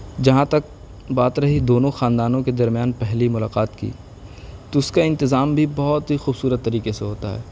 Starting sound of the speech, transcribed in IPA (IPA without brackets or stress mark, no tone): d͡ʒ